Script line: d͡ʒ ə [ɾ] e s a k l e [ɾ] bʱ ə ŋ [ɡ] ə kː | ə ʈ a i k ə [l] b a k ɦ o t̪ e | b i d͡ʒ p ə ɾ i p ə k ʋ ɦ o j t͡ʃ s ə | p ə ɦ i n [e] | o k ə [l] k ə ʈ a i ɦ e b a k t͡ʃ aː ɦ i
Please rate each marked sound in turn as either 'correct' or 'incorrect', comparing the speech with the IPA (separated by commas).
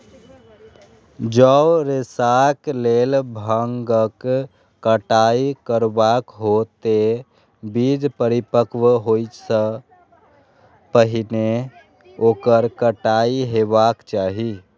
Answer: correct, incorrect, correct, incorrect, correct, incorrect